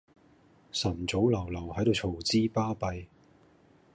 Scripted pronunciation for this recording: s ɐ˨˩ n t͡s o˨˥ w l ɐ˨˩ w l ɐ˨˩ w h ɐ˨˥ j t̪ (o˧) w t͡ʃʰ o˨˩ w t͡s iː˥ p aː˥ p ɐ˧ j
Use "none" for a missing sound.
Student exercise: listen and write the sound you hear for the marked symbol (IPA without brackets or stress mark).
o˧